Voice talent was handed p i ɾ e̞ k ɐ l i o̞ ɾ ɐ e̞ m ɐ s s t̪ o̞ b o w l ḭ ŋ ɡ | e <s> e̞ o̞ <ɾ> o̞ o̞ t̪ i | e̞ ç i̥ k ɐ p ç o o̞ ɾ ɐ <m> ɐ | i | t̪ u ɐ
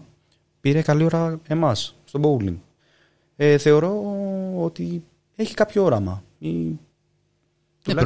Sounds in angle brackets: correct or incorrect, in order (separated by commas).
incorrect, correct, correct